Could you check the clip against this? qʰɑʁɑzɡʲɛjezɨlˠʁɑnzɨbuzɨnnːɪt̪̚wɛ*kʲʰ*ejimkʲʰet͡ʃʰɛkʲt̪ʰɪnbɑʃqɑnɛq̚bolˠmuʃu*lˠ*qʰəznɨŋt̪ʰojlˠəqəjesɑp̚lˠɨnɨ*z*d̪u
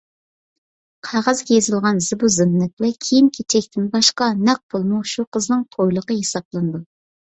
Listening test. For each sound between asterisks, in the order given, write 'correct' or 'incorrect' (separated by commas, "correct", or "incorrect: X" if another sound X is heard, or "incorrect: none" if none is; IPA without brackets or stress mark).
correct, incorrect: none, incorrect: none